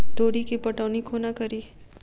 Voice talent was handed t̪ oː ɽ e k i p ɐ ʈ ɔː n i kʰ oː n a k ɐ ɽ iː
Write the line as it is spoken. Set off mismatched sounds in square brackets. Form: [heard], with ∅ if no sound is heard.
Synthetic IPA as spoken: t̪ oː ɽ [i] k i p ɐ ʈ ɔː n i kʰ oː n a k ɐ [ɾ] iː